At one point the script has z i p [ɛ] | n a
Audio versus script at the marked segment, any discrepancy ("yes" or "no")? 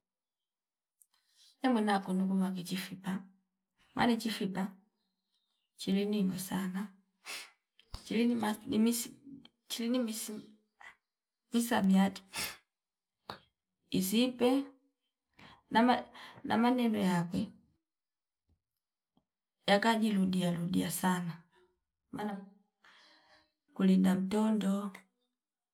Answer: no